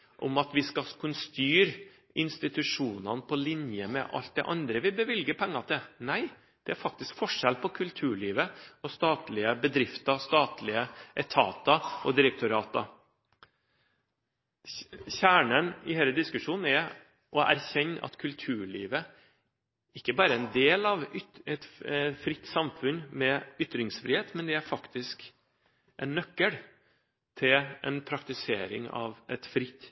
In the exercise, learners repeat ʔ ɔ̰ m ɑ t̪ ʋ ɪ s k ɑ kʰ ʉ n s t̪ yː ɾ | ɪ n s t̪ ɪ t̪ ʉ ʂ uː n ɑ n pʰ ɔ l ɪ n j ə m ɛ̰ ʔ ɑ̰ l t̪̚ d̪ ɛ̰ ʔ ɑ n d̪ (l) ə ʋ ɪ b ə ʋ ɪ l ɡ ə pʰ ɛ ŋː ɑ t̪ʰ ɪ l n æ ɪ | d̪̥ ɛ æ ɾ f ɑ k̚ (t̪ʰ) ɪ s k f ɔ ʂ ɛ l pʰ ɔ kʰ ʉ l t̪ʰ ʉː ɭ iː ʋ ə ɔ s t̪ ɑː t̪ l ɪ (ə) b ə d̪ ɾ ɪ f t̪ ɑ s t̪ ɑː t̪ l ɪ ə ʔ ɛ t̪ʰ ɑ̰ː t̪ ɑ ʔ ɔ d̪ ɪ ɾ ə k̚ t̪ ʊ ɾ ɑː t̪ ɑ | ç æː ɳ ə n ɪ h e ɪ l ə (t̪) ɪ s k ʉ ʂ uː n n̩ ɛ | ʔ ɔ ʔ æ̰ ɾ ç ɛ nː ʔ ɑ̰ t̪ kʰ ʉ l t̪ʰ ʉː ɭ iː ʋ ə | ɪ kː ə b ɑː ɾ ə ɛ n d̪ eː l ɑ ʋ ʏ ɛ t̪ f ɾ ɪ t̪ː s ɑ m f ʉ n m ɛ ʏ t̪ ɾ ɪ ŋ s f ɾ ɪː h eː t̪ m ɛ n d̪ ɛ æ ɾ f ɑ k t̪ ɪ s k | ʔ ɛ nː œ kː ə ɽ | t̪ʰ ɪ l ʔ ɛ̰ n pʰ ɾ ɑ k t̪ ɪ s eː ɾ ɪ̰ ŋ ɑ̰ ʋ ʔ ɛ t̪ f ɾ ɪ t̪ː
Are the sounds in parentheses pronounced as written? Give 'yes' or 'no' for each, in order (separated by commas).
no, no, yes, no